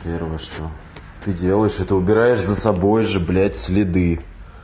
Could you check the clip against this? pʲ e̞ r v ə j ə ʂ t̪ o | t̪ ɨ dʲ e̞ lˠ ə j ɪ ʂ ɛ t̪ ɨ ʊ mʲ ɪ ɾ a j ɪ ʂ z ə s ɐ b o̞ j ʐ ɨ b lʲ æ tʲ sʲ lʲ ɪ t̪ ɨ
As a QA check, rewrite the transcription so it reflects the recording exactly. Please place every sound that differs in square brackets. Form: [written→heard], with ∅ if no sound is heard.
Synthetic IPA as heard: pʲ e̞ r v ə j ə ʂ t̪ o | t̪ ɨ dʲ e̞ lˠ ə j ɪ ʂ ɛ t̪ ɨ ʊ [mʲ→bʲ] ɪ ɾ a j ɪ ʂ z ə s ɐ b o̞ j ʐ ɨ b lʲ æ tʲ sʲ lʲ ɪ [t̪→d̪] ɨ